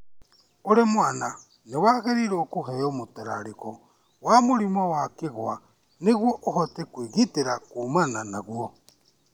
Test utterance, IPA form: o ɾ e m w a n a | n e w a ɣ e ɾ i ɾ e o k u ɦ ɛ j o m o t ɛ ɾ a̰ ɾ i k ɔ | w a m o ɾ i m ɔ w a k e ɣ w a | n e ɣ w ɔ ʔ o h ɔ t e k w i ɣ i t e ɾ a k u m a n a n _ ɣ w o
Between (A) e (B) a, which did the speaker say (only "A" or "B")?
B